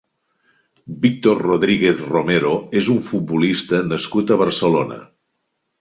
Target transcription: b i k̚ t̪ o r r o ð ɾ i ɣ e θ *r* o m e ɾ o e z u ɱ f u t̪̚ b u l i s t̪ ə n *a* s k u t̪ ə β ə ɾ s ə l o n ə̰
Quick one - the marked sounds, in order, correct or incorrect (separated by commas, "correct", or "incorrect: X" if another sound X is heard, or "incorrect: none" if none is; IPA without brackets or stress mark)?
correct, incorrect: ə